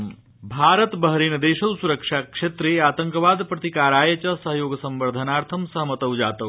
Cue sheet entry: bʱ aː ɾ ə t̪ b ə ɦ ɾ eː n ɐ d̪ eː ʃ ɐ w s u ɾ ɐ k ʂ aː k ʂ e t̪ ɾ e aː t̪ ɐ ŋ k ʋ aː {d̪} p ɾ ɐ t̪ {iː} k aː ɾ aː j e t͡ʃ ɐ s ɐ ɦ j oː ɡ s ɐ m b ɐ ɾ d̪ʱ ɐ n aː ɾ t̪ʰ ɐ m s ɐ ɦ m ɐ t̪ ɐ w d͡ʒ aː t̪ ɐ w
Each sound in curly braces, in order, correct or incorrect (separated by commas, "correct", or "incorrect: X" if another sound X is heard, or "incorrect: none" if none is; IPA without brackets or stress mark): correct, incorrect: i